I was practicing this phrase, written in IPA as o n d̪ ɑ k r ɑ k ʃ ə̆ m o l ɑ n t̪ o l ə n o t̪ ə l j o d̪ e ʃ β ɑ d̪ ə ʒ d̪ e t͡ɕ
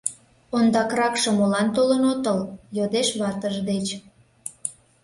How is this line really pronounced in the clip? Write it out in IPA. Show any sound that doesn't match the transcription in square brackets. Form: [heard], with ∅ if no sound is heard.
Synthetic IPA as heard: o n d̪ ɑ k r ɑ k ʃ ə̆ m o l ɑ n t̪ o l ə n o t̪ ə l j o d̪ e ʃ β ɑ [t̪] ə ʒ d̪ e t͡ɕ

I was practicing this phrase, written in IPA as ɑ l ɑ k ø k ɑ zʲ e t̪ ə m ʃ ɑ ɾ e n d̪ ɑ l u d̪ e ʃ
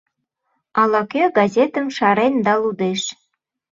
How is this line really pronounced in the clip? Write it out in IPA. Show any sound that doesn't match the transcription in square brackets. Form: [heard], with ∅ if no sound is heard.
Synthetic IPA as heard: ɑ l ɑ k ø [ɡ] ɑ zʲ e t̪ ə m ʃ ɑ ɾ e n d̪ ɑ l u d̪ e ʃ

